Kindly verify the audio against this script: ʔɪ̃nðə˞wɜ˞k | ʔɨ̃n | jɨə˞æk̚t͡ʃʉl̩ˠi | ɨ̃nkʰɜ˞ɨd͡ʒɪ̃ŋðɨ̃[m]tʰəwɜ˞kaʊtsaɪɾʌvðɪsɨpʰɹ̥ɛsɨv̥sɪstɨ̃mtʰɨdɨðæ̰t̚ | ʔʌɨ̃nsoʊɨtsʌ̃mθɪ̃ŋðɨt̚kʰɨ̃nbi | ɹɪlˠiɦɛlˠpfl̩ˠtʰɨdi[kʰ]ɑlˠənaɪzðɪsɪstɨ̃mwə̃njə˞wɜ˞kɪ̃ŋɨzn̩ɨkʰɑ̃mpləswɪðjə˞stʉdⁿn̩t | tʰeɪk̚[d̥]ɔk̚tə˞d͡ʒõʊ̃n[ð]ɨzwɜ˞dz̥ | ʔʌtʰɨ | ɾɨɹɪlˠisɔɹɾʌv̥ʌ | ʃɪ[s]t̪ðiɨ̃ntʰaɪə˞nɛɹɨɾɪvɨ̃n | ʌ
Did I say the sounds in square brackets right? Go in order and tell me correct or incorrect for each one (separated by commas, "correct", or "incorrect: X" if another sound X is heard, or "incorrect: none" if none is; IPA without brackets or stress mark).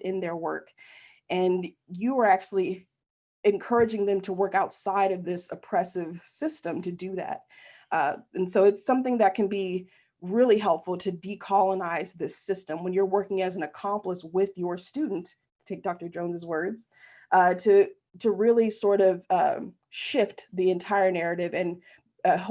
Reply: correct, correct, correct, incorrect: z, incorrect: f